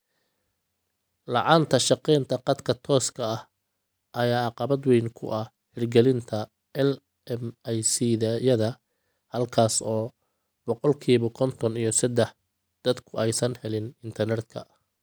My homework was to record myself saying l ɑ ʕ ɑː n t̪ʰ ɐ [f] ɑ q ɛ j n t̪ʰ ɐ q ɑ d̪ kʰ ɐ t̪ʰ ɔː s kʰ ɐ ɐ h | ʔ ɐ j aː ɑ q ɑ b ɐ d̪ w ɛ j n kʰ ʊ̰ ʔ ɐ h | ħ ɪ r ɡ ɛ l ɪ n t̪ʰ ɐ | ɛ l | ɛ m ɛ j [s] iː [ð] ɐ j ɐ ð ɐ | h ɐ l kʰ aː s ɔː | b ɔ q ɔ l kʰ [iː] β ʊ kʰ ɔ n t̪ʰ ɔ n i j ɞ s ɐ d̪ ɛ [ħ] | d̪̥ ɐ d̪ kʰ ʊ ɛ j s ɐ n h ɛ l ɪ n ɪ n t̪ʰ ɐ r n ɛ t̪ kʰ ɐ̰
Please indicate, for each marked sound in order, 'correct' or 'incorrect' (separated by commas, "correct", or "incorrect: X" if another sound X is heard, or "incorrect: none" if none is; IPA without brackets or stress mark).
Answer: incorrect: ʃ, correct, correct, correct, correct